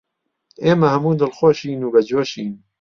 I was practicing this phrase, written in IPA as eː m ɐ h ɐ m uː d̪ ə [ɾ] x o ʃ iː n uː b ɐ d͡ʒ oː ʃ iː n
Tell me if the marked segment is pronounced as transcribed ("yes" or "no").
no